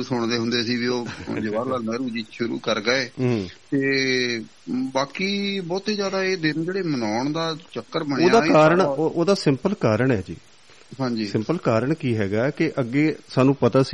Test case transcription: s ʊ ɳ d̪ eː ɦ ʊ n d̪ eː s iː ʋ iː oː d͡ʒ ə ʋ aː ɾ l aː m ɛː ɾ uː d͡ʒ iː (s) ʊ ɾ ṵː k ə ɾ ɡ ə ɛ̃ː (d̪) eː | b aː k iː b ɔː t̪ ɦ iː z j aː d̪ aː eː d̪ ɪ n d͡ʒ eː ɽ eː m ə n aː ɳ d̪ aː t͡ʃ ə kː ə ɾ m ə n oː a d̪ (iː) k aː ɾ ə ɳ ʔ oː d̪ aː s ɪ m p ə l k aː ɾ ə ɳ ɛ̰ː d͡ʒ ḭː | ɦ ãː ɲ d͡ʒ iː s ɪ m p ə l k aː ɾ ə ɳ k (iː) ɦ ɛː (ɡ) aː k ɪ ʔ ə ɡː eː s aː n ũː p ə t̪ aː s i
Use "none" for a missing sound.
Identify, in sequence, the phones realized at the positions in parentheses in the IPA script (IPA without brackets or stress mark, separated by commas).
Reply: ʃ, t̪, aː, iː, ɡ